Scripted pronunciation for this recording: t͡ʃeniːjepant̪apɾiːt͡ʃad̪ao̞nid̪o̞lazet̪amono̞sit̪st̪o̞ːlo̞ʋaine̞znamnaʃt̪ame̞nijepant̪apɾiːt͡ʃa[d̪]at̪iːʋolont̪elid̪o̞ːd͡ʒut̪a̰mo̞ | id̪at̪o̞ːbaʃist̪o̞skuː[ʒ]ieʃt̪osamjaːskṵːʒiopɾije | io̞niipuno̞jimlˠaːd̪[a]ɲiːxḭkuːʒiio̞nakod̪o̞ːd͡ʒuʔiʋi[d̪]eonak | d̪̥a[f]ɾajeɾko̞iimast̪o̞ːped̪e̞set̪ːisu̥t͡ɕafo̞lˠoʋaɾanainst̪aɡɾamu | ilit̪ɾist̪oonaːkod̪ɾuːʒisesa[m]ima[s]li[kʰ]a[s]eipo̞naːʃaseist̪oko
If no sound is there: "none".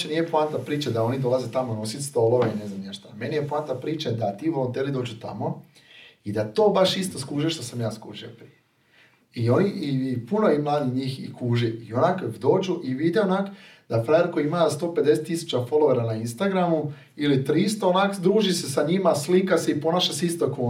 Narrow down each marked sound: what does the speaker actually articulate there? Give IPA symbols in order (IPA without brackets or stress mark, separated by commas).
d̪, ʒ, i, d̪, f, ɲ, s, k, s